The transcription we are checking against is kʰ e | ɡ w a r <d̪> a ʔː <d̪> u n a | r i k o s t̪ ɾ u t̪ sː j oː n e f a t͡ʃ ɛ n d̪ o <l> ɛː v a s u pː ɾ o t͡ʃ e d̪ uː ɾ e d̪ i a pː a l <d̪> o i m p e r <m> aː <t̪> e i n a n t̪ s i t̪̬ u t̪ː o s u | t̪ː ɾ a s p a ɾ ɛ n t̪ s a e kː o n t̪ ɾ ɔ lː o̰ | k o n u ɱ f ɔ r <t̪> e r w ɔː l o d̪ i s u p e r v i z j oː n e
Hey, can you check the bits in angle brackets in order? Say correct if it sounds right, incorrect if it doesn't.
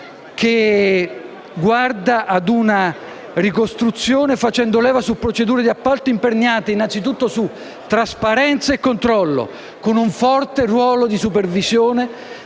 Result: correct, correct, correct, incorrect: t̪, incorrect: ɲ, correct, correct

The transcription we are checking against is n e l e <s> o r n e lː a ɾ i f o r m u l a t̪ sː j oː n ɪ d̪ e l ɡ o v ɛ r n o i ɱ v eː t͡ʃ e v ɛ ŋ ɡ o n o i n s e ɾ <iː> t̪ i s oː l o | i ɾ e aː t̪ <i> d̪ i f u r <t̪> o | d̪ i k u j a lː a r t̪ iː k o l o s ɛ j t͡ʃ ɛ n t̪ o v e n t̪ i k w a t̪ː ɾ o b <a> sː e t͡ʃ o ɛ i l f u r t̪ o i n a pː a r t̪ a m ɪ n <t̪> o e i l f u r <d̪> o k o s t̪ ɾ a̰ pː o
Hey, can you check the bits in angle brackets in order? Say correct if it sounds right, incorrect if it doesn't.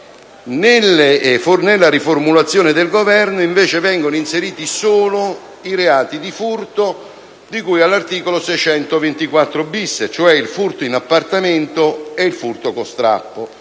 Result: incorrect: f, correct, correct, correct, incorrect: i, correct, incorrect: t̪

